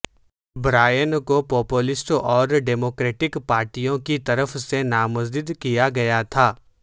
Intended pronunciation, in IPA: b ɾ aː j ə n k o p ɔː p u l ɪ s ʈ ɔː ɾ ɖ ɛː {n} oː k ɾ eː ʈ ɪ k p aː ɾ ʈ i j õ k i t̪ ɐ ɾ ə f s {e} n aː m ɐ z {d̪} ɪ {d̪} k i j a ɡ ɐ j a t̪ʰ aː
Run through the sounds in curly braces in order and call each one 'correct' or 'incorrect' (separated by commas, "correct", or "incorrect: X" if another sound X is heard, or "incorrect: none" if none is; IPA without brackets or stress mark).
incorrect: m, correct, correct, correct